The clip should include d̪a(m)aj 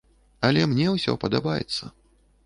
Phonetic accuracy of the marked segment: incorrect: b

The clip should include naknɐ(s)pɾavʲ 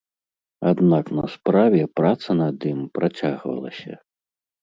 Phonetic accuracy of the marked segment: correct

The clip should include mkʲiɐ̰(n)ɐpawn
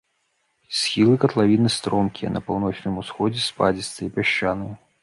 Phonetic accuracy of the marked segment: correct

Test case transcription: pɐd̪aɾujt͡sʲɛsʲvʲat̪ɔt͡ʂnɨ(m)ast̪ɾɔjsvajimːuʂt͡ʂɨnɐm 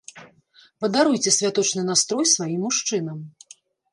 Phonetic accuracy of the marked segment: incorrect: n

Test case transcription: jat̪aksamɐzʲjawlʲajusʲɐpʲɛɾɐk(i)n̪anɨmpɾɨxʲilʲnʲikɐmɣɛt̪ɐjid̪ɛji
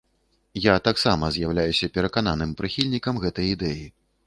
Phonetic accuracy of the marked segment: incorrect: a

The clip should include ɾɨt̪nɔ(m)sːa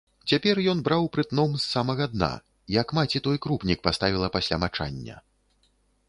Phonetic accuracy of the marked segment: correct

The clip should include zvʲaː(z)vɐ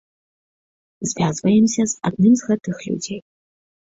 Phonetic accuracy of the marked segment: correct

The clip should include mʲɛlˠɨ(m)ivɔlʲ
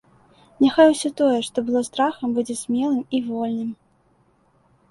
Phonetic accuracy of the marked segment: correct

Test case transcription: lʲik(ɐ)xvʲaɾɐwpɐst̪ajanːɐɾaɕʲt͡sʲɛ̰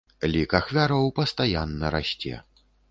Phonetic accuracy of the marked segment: incorrect: a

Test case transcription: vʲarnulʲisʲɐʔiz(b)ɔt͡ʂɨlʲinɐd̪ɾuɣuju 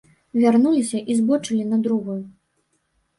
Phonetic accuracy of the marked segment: correct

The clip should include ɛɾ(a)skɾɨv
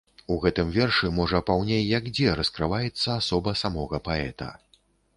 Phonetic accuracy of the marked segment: incorrect: ɐ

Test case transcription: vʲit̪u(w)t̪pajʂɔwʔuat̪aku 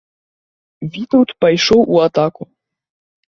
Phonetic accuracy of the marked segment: correct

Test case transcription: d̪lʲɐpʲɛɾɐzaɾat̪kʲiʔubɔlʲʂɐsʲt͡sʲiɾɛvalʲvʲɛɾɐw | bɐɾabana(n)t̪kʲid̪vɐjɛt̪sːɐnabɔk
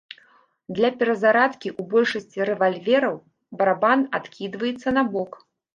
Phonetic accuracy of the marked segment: incorrect: none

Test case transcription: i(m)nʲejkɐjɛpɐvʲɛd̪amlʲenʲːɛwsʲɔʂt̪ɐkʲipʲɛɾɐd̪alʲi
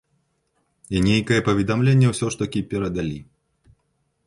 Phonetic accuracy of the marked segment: incorrect: none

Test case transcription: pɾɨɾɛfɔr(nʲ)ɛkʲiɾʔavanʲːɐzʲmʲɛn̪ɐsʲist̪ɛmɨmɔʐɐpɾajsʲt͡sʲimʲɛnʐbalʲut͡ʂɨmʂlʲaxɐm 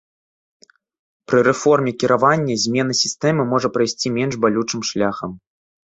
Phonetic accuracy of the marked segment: incorrect: mʲ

